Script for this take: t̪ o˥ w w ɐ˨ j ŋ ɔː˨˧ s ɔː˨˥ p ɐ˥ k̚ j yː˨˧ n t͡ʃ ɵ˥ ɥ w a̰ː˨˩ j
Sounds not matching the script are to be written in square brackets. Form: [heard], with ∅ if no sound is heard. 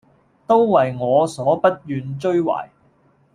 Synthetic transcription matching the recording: t̪ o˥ w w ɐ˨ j ŋ ɔː˨˧ s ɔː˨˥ p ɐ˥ [t̚] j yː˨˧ n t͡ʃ ɵ˥ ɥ w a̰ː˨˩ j